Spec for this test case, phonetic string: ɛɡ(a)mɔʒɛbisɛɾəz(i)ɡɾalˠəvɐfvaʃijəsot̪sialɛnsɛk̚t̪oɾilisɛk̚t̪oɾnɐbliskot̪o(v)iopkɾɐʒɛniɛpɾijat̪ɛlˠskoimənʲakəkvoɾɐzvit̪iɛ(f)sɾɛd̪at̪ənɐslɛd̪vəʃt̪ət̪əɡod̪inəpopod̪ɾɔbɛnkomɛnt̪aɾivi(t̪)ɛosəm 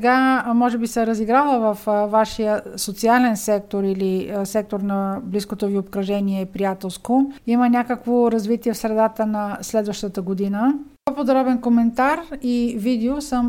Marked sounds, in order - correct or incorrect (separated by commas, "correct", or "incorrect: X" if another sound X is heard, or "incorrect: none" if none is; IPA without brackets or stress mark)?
correct, correct, correct, correct, incorrect: d̪